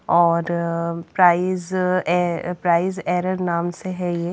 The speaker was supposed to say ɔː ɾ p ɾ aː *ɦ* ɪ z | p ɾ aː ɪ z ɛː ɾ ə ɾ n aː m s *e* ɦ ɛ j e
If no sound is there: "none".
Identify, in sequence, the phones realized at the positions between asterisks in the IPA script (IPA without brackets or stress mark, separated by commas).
none, e